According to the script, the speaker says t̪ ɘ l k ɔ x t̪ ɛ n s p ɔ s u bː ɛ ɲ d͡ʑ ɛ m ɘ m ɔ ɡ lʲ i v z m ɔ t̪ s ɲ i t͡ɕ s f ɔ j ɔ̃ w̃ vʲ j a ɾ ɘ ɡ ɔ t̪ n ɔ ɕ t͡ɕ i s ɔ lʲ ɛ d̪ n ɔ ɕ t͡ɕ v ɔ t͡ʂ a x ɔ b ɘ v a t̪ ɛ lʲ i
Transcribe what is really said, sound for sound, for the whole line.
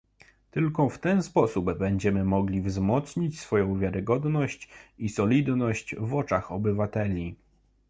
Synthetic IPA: t̪ ɘ l k ɔ f t̪ ɛ n s p ɔ s u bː ɛ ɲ d͡ʑ ɛ m ɘ m ɔ ɡ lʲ i v z m ɔ t̪ s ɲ i t͡ɕ s f ɔ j ɔ̃ w̃ vʲ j a ɾ ɘ ɡ ɔ d̪ n ɔ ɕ t͡ɕ i s ɔ lʲ i d̪ n ɔ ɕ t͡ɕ v ɔ t͡ʂ a x ɔ b ɘ v a t̪ ɛ lʲ i